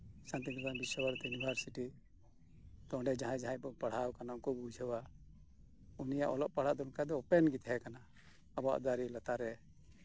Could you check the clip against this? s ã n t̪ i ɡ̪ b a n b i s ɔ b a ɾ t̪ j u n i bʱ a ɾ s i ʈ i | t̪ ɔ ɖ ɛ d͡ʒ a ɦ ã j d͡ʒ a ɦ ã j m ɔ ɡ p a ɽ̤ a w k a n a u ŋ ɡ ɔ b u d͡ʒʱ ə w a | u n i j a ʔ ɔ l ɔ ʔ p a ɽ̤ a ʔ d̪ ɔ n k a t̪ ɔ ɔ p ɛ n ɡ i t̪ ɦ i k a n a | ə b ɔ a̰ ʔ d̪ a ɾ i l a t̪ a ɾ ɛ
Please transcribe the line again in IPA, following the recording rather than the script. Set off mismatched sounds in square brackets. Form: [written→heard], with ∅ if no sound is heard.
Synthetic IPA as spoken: s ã n t̪ i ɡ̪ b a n b i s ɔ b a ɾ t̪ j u n i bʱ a ɾ s i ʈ i | t̪ ɔ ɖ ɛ d͡ʒ a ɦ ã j d͡ʒ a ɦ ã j [m→b] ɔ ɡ p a ɽ̤ a w k a n a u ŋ [ɡ→k] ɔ b u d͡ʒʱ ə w a | u n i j a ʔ ɔ l ɔ ʔ p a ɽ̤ a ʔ d̪ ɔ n k a [t̪→d̪] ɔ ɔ p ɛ n ɡ i t̪ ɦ [i→ɛ] k a n a | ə b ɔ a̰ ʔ d̪ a ɾ i l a t̪ a ɾ ɛ